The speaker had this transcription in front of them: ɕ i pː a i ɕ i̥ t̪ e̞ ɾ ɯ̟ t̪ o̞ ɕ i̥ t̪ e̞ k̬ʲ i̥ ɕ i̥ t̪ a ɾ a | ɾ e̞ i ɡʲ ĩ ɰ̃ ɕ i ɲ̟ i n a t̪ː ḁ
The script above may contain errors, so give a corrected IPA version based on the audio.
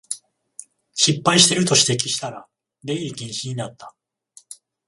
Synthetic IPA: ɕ i pː a i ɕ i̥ t̪ e̞ ɾ ɯ̟ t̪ o̞ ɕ i̥ t̪ e̞ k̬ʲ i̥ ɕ i̥ t̪ a ɾ a | ɾ e̞ i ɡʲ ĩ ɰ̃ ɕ i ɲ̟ i n a t̪ː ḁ